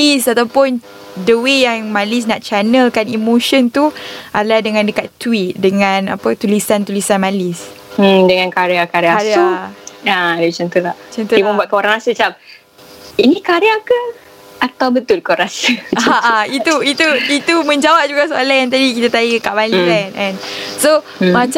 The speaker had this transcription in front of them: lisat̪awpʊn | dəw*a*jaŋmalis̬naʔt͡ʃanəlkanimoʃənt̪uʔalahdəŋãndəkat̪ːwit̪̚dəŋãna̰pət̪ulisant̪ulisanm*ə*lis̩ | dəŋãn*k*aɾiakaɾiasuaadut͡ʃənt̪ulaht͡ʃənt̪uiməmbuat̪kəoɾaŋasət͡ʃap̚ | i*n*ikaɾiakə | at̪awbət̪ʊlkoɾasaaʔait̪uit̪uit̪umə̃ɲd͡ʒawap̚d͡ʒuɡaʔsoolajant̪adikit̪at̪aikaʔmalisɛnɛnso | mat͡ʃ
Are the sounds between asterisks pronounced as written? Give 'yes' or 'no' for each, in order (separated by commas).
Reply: no, no, yes, yes